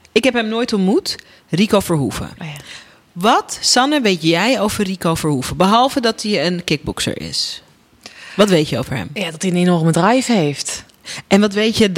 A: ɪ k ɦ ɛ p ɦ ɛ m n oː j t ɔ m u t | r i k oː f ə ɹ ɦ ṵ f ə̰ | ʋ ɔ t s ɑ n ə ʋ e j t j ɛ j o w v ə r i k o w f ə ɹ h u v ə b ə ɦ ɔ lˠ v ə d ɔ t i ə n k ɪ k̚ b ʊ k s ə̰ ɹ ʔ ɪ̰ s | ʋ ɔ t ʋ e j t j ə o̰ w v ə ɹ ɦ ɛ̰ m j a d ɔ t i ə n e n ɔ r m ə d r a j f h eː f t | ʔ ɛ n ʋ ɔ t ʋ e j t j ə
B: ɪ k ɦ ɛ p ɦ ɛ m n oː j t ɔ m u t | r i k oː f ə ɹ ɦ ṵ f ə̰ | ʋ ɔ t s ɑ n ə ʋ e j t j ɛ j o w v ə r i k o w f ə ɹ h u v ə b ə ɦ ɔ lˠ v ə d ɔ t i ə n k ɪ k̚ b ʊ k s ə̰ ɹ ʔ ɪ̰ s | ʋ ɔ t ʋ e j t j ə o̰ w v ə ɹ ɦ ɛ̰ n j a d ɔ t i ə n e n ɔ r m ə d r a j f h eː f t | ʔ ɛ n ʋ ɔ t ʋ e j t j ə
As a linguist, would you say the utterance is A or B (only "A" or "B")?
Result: A